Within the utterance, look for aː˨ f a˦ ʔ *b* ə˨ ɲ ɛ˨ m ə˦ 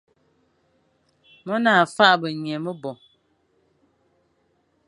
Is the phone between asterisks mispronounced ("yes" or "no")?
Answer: no